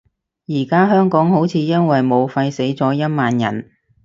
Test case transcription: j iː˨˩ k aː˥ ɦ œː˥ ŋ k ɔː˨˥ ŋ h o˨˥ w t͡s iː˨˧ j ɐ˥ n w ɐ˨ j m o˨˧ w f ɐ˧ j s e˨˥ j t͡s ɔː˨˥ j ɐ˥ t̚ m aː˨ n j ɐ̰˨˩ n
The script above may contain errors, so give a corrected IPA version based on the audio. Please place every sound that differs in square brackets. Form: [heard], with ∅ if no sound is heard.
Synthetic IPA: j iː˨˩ k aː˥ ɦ œː˥ ŋ k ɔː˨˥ ŋ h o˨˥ w [t͡sʰ] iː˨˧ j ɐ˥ n w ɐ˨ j m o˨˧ w f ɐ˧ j s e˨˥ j t͡s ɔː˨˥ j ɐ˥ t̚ m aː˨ n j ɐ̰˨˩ n